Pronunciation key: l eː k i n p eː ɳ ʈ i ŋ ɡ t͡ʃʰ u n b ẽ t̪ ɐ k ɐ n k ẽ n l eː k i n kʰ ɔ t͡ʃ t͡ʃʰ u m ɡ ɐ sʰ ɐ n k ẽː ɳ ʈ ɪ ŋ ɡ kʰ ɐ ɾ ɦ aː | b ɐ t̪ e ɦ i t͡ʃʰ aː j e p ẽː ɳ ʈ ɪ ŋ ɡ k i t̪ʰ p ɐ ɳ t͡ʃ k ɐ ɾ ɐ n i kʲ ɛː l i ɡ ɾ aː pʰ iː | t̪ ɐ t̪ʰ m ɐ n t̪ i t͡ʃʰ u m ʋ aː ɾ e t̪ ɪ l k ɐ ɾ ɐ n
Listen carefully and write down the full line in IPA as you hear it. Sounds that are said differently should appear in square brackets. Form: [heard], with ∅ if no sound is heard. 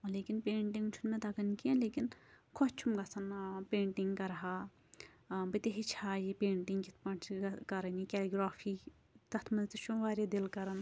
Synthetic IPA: l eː k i n p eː ɳ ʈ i ŋ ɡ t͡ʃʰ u n [m] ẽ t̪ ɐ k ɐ n k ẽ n l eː k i n kʰ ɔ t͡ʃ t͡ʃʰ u m ɡ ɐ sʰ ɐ n [p] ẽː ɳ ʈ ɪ ŋ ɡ [k] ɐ ɾ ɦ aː | b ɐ t̪ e ɦ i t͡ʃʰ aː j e p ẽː ɳ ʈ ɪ ŋ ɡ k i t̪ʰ p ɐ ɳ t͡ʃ k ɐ ɾ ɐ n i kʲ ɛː l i ɡ ɾ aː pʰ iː | t̪ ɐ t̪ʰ m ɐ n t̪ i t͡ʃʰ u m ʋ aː ɾ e [d̪] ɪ l k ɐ ɾ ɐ n